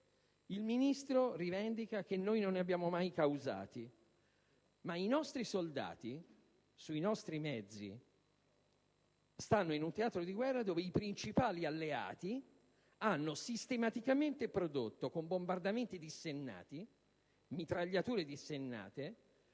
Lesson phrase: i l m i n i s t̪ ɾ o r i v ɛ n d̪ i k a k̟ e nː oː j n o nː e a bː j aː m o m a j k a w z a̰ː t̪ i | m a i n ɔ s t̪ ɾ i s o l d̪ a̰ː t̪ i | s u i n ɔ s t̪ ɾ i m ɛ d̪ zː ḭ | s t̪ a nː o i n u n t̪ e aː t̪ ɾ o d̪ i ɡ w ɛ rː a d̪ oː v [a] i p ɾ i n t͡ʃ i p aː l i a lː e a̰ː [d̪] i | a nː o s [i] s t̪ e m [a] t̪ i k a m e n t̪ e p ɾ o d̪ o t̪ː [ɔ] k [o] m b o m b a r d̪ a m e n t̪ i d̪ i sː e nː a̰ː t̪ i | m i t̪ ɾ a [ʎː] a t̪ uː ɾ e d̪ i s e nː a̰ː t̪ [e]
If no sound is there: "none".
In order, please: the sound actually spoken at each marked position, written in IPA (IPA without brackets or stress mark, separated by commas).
e, t̪, i, a, o, o, ʎː, e